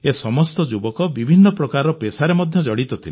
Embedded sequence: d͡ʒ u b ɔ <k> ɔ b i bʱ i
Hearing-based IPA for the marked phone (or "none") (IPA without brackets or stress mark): k